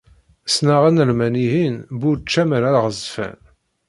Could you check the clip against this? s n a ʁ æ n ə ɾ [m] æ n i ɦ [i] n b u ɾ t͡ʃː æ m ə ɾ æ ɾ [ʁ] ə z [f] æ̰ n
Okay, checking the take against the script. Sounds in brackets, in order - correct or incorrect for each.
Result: correct, correct, correct, correct

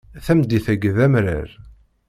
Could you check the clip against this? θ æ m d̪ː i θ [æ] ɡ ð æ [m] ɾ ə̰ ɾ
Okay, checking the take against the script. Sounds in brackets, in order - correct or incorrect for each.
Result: correct, correct

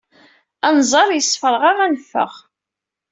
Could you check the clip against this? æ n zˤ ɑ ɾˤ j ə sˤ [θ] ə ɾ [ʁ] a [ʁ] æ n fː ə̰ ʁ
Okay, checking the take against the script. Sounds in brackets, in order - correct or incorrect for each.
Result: incorrect: f, correct, correct

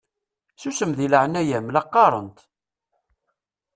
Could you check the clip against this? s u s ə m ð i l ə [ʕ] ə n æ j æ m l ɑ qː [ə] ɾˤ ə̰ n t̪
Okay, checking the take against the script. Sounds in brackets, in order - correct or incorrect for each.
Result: correct, incorrect: ɑ

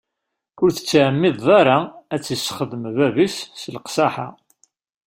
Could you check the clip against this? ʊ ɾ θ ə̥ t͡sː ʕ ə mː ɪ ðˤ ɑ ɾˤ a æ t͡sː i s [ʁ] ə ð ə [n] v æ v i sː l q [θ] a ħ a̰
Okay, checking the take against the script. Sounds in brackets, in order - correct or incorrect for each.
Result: incorrect: χ, incorrect: m, incorrect: s

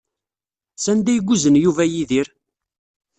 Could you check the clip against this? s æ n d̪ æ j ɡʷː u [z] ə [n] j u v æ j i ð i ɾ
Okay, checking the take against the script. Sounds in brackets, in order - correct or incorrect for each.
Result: correct, correct

